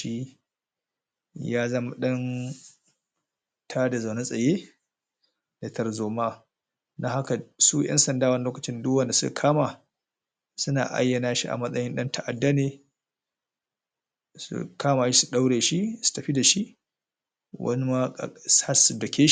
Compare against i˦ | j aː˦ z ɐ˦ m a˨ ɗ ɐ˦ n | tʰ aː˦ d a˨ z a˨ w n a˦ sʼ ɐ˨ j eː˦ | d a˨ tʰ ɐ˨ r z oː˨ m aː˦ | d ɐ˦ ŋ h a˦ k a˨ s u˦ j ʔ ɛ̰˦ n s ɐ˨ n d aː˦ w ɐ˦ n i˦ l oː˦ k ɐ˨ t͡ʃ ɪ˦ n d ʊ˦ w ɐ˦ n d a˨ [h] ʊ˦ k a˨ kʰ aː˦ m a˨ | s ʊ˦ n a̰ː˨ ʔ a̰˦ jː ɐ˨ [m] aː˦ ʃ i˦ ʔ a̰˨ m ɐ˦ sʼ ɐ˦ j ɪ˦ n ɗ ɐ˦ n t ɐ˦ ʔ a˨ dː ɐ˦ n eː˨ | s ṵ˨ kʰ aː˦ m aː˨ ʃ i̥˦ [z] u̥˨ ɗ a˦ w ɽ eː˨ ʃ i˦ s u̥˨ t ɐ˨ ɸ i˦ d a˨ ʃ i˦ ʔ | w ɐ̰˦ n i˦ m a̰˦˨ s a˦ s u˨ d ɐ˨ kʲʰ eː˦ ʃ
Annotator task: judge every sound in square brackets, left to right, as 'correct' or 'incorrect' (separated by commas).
incorrect, incorrect, incorrect